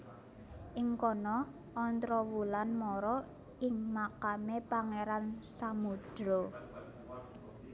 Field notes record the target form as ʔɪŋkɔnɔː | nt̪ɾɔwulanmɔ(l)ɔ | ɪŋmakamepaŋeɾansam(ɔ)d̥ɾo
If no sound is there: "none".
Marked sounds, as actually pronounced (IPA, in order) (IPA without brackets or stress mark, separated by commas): ɾ, u